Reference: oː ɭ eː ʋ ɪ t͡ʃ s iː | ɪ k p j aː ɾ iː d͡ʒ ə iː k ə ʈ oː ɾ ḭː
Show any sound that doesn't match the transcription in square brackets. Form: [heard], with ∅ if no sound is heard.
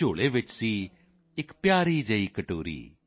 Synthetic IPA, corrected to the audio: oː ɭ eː ʋ ɪ t͡ʃ s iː | ɪ k p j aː ɾ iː d͡ʒ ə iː k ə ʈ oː ɾ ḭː